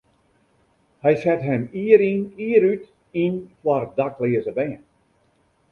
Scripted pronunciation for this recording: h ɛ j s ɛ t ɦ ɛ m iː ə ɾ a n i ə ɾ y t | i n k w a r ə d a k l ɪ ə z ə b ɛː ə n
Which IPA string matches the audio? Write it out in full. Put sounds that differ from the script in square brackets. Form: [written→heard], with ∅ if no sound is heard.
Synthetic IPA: h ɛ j s ɛ t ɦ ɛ m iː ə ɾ [a→i] n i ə ɾ y t | i n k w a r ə d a k l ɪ ə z ə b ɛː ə n